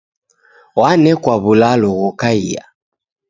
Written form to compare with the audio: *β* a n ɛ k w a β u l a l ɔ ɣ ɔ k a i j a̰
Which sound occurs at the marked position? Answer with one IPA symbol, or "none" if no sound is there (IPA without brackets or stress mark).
w